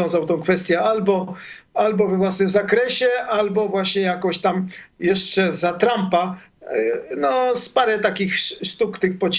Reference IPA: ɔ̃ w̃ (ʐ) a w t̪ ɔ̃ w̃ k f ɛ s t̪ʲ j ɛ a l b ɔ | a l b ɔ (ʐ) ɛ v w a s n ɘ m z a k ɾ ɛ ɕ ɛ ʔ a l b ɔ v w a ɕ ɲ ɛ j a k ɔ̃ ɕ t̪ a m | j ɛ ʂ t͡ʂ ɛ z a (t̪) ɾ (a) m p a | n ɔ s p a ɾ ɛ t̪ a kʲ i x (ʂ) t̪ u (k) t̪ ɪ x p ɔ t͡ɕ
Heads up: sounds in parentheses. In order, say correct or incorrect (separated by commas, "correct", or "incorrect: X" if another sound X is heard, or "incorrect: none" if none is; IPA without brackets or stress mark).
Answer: incorrect: z, incorrect: v, correct, correct, correct, correct